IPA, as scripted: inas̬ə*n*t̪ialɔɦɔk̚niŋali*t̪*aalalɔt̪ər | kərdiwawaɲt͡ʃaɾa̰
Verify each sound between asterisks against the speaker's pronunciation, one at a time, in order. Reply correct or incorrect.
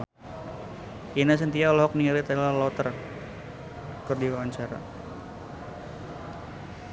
correct, correct

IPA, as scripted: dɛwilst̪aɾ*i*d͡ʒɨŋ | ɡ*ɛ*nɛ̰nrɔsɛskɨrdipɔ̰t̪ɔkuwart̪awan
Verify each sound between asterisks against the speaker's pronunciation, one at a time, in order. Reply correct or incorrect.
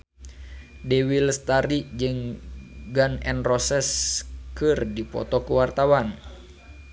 correct, incorrect: a

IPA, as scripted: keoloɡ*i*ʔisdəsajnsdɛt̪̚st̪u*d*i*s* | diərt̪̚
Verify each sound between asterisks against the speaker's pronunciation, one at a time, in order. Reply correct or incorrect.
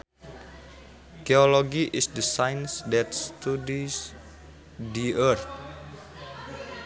correct, correct, correct

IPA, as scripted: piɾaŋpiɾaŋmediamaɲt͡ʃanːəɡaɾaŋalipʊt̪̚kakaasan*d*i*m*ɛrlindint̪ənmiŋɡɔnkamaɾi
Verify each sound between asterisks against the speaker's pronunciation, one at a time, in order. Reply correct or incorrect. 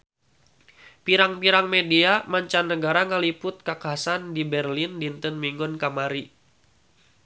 correct, incorrect: b

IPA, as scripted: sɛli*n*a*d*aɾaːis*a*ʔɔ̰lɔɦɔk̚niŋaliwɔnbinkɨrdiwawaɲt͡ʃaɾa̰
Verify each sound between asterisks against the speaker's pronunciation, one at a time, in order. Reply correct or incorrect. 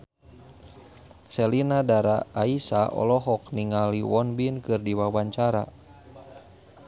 correct, correct, correct

